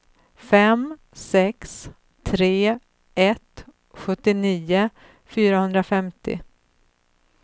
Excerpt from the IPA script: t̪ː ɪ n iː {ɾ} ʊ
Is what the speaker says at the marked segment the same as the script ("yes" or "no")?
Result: no